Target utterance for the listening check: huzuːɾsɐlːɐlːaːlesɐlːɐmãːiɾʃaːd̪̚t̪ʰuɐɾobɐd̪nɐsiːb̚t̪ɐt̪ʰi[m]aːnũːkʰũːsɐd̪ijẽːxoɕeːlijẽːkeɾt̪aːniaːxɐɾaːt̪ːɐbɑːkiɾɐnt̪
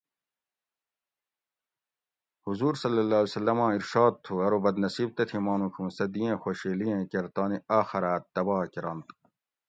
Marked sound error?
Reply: no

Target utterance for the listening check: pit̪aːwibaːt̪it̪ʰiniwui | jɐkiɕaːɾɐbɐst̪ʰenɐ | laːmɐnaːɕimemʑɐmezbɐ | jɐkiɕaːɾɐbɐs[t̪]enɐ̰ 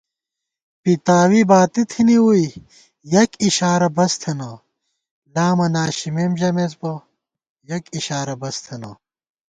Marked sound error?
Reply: yes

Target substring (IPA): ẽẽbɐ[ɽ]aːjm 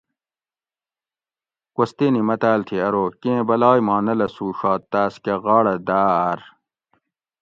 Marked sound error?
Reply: yes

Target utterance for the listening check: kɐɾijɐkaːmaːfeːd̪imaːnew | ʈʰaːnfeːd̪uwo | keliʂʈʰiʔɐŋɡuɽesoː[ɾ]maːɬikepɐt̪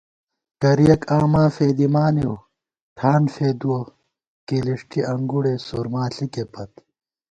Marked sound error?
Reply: no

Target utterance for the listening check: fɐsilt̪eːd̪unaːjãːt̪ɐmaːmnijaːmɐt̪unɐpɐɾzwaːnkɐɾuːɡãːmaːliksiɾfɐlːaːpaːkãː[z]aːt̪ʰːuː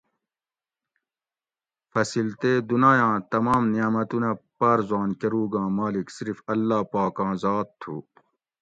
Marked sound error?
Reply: no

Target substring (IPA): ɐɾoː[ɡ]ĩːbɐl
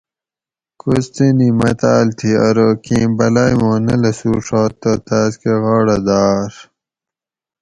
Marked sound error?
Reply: yes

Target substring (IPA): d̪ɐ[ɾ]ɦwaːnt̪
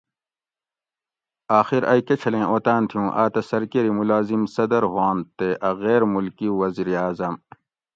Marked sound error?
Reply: no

